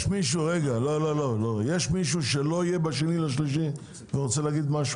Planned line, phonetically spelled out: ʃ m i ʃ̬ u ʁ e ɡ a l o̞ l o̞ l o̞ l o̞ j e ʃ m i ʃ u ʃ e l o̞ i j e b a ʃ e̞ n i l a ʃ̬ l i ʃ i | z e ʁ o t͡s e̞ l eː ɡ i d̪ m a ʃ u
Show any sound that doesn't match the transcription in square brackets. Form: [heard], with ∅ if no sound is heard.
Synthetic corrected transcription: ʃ m i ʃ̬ u ʁ e ɡ a l o̞ l o̞ l o̞ l o̞ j e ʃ m i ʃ u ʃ e l o̞ i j e b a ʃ e̞ n i l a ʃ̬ l i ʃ i | [v] e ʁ o t͡s e̞ l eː ɡ i d̪ m a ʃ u